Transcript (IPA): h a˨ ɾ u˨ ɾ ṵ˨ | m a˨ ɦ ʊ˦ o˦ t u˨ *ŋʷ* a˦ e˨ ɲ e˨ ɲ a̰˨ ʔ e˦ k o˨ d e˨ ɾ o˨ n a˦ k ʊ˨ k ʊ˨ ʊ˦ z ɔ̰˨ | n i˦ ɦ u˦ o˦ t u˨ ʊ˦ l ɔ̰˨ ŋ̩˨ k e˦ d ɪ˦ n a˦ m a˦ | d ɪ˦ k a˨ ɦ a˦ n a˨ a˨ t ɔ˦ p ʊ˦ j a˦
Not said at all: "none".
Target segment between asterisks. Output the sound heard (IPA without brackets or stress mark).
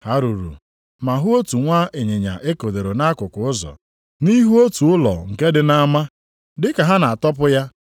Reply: ŋʷ